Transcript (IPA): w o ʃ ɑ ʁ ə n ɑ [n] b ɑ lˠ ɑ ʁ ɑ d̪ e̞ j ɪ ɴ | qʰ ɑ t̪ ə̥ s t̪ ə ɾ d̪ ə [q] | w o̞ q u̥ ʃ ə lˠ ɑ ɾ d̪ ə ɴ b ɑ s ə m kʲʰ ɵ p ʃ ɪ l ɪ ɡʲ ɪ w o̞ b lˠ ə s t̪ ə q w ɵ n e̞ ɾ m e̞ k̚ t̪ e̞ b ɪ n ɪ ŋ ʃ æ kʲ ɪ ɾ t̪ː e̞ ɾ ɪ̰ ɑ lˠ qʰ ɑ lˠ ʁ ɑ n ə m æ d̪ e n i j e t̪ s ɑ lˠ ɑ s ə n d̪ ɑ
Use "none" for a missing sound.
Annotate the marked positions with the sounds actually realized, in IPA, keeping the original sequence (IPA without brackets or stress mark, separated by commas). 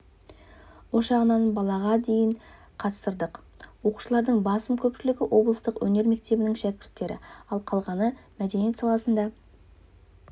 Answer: n, q